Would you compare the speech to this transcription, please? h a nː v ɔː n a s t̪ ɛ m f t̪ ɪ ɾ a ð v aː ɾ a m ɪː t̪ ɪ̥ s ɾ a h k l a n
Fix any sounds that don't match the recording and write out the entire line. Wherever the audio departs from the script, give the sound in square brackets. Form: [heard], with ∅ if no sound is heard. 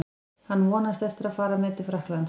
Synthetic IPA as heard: h a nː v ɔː n a s t̪ ɛ [∅] f t̪ ɪ ɾ a ð [f] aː ɾ a m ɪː t̪ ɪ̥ [f] ɾ a h k l a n